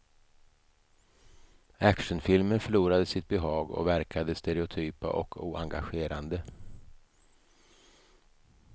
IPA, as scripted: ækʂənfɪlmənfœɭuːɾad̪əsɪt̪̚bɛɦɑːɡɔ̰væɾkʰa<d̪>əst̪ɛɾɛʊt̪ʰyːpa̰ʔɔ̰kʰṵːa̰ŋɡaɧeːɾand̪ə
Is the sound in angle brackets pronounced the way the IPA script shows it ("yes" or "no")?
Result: yes